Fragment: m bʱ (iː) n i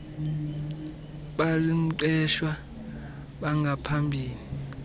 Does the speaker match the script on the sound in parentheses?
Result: yes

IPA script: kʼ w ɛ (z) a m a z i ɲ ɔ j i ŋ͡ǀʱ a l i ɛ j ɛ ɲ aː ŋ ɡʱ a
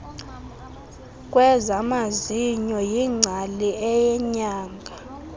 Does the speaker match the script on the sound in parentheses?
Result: yes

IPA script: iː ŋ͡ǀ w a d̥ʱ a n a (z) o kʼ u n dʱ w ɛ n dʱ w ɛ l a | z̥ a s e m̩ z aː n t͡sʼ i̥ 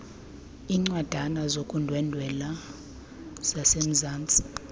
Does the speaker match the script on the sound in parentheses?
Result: yes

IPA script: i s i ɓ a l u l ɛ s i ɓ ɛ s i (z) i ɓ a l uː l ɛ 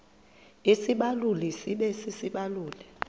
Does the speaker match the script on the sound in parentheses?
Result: no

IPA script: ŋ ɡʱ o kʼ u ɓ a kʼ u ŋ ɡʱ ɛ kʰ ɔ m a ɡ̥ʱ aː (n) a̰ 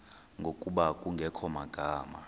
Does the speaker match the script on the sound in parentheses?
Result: no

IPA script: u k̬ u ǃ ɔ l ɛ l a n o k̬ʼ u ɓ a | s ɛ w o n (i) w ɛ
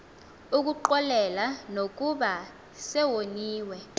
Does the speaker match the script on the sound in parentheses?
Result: no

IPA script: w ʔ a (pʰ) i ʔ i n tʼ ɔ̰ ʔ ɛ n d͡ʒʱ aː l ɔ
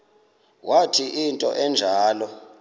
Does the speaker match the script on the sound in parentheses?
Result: no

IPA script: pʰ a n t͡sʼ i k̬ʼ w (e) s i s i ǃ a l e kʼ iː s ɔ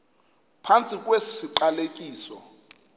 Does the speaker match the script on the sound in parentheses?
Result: yes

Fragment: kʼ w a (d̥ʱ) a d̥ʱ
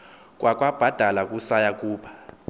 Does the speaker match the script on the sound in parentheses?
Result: no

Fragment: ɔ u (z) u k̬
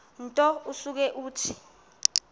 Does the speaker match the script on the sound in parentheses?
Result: no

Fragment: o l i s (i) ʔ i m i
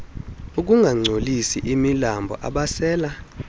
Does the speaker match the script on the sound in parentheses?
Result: yes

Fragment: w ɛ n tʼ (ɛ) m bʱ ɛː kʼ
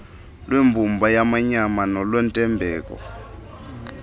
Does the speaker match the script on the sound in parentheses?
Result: yes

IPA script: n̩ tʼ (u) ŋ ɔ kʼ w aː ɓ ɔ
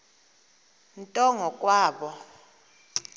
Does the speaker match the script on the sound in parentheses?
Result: no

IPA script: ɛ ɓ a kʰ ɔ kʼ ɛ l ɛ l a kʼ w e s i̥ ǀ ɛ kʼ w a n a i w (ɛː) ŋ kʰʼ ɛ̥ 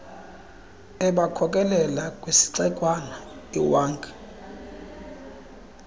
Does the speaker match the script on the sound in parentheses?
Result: no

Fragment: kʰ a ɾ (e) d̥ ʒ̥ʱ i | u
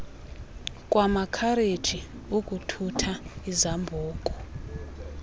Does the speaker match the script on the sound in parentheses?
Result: yes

